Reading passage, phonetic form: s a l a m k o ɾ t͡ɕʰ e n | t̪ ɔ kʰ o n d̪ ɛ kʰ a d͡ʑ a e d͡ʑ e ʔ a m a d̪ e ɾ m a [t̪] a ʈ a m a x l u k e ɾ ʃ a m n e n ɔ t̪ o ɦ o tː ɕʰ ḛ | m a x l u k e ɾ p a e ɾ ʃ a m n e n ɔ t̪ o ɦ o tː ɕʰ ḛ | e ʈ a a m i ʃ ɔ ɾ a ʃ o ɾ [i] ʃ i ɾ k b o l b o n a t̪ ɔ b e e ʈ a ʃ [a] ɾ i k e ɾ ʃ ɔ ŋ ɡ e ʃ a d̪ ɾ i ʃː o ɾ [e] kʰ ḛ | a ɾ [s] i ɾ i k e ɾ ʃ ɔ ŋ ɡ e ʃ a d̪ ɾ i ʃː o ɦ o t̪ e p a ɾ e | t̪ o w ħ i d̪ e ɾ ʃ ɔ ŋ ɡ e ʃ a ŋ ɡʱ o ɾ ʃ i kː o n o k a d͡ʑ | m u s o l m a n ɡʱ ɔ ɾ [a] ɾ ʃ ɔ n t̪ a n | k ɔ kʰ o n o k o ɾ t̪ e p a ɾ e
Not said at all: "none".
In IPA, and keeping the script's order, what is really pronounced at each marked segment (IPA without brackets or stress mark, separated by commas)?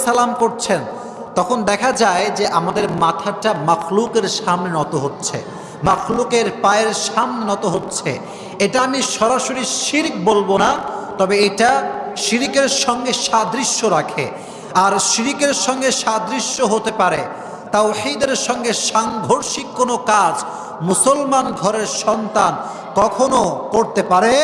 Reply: t̪ʰ, i, i, a, ʃ, e